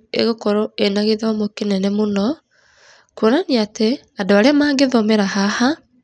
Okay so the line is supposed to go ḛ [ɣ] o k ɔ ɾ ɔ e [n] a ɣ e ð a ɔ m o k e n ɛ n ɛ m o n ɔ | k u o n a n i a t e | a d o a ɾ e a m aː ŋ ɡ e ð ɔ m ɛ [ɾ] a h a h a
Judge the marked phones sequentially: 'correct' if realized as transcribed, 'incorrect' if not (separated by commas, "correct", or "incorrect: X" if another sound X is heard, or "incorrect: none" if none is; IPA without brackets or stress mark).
correct, correct, correct